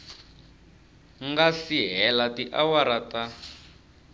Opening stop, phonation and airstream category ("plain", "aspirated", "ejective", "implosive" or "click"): plain